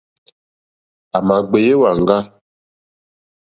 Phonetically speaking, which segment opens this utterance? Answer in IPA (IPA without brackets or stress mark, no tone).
a